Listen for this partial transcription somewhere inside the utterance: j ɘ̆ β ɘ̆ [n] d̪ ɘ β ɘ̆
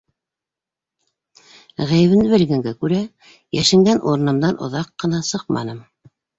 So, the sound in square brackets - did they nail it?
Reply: yes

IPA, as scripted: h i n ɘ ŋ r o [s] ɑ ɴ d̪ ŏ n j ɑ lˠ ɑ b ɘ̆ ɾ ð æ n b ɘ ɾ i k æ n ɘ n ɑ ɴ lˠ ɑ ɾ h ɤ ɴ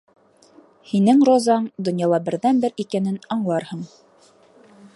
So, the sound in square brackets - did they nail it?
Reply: no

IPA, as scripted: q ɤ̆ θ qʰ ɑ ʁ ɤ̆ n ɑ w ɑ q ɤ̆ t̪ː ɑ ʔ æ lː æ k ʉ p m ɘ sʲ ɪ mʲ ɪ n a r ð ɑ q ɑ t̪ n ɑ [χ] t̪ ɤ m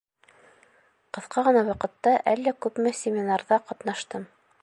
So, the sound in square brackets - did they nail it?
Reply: no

